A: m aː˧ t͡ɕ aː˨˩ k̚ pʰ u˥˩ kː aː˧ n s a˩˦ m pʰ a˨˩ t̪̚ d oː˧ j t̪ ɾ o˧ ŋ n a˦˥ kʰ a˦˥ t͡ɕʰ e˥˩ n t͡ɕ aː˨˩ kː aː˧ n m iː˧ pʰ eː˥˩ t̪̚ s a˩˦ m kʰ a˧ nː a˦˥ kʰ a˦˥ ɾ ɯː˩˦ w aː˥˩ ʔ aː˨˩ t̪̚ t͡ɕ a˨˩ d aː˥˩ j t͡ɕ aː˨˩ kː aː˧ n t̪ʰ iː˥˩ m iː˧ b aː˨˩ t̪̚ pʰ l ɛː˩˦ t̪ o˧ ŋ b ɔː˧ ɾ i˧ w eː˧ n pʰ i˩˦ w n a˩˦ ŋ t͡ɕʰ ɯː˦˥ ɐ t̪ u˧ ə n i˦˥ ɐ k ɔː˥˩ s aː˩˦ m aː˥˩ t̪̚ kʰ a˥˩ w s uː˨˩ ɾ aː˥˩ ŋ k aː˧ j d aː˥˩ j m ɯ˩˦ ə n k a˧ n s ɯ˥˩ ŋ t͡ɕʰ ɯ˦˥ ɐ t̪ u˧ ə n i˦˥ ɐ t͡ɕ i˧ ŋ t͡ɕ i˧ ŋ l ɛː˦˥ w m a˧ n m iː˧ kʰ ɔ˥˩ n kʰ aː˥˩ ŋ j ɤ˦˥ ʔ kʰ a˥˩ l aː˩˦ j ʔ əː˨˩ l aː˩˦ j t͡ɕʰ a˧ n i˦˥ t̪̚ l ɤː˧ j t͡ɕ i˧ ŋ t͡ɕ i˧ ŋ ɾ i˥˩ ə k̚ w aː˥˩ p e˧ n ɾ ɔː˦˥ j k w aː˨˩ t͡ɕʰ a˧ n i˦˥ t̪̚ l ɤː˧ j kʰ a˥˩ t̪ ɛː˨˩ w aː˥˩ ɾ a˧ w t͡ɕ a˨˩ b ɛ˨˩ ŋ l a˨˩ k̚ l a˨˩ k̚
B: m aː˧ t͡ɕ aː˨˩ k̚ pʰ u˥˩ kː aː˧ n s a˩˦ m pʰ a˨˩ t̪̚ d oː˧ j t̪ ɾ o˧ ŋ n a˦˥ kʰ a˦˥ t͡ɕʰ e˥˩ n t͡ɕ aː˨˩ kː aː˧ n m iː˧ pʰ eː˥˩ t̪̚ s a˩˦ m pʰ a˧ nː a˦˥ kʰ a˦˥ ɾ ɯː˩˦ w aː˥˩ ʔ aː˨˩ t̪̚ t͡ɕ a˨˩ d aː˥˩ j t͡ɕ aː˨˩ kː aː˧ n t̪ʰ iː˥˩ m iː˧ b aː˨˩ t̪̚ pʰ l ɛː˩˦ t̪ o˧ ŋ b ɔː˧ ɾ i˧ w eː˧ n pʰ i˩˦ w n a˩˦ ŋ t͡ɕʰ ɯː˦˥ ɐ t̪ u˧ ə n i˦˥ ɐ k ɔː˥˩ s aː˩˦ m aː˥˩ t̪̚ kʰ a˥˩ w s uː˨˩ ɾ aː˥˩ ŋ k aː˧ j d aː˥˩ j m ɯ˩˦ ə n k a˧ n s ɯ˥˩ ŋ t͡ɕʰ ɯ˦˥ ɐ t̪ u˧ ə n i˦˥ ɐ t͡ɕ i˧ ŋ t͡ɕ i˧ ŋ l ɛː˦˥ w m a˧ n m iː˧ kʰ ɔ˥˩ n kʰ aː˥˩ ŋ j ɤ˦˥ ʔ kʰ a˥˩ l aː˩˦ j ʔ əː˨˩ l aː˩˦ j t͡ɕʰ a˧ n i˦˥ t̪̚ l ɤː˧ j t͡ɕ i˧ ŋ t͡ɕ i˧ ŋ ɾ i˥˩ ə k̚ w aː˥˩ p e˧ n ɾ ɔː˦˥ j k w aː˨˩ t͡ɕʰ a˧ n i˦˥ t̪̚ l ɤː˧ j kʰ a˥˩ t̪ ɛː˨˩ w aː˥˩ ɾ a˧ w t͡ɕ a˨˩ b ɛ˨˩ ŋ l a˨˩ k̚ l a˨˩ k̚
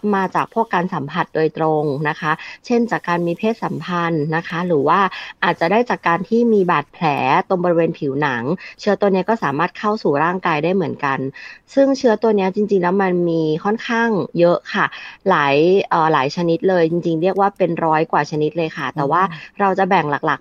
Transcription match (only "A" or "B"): B